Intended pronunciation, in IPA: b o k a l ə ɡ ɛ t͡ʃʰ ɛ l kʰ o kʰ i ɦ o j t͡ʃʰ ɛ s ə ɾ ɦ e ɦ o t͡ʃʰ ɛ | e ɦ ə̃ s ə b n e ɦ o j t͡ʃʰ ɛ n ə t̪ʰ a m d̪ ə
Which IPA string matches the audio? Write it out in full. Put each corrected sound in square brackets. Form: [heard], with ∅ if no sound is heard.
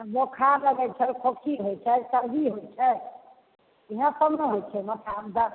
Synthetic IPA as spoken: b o [kʰ] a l ə ɡ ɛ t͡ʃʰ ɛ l kʰ o kʰ i ɦ o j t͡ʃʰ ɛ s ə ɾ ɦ [i] ɦ o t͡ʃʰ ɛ | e ɦ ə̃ s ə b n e ɦ o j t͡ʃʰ ɛ [m] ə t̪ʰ a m d̪ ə